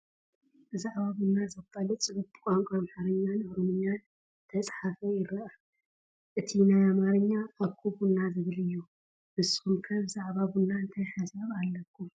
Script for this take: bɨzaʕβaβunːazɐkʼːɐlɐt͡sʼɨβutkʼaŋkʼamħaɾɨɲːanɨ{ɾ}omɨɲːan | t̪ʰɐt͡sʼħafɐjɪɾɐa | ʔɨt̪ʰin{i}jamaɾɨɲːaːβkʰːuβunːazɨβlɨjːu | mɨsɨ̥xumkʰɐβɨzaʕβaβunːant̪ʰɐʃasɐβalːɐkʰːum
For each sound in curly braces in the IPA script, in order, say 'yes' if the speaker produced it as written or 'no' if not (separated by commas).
yes, no